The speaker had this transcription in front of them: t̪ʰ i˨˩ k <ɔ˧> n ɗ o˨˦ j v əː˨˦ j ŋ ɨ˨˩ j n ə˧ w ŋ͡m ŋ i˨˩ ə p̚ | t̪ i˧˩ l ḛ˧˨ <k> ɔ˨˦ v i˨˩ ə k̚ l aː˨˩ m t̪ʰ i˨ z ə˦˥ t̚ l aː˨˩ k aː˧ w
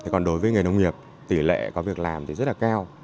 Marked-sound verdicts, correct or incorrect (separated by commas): incorrect, correct